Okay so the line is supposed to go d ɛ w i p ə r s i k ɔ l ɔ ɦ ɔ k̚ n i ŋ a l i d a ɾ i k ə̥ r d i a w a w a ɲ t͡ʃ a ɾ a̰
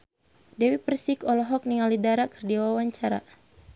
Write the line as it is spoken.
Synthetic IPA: d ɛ w i p ə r s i k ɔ l ɔ ɦ ɔ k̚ n i ŋ a l i d a ɾ a k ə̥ r d i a w a w a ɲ t͡ʃ a ɾ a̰